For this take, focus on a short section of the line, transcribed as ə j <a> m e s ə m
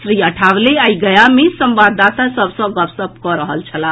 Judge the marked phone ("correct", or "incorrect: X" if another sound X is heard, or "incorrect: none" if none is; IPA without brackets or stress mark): correct